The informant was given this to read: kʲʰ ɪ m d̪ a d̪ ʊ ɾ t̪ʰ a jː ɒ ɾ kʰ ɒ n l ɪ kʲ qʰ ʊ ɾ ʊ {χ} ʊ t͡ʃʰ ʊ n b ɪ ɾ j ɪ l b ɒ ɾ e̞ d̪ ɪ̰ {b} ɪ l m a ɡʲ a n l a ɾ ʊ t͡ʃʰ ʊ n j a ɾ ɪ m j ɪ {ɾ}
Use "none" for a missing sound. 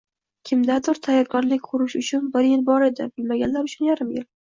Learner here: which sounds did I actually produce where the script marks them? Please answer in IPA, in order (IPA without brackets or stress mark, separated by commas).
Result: ʃ, b, l